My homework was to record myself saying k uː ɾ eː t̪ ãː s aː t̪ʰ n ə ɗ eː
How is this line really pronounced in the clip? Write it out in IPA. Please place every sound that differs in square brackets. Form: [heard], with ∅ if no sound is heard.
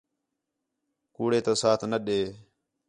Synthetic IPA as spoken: k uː [ɽ] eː t̪ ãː s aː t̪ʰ n ə ɗ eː